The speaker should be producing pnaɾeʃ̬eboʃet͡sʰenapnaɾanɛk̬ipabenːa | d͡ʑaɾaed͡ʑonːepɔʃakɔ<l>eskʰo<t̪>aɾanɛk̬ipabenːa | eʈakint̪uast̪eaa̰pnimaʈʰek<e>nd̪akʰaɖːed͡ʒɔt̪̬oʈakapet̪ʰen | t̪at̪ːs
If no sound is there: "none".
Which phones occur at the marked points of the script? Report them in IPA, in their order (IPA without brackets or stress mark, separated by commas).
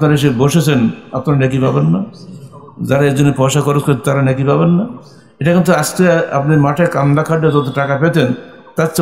ɾ, t̪, a